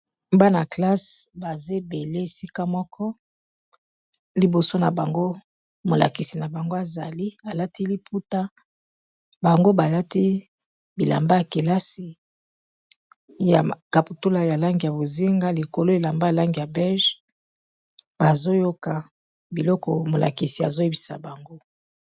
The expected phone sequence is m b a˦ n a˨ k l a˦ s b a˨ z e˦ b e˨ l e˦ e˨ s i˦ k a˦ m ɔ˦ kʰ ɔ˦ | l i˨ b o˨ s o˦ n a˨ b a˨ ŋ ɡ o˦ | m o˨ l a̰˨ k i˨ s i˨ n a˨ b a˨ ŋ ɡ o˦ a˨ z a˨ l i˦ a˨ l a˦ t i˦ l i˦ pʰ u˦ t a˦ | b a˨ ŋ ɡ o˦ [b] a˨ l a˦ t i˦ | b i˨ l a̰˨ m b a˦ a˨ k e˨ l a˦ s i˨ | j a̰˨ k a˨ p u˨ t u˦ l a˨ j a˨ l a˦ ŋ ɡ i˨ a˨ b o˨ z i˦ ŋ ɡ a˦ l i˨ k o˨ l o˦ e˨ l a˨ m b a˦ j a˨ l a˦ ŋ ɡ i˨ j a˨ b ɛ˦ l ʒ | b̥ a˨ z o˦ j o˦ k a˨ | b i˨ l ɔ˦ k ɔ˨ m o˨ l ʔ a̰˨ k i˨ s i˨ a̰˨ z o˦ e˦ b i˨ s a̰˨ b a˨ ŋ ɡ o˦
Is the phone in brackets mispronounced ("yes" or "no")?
no